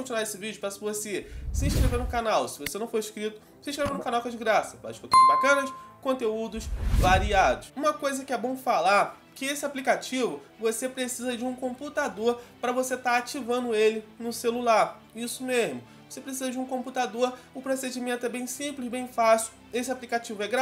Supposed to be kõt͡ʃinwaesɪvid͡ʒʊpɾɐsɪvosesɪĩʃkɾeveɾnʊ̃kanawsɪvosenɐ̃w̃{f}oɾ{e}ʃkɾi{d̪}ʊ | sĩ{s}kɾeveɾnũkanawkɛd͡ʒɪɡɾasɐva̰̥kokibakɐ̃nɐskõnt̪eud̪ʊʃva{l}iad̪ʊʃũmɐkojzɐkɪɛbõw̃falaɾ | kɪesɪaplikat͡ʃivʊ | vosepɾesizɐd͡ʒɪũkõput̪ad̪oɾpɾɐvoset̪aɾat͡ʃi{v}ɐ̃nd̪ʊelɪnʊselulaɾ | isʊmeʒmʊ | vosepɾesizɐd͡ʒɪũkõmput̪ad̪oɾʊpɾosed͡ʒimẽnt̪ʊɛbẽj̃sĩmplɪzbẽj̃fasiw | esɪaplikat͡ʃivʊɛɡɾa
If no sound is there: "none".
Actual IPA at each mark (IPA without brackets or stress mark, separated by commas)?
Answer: f, i, t̪, ʃ, ɾ, v